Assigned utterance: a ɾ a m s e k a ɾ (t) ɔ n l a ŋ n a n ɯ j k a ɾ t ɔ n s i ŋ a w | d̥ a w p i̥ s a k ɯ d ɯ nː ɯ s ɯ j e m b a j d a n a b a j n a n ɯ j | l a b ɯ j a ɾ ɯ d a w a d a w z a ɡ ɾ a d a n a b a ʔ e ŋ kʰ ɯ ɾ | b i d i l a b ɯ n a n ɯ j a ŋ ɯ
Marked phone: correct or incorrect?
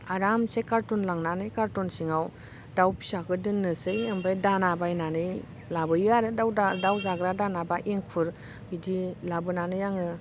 correct